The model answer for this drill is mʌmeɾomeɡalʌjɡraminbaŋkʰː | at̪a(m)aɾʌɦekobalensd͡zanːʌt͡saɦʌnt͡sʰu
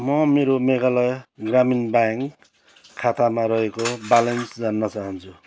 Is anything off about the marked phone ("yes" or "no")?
no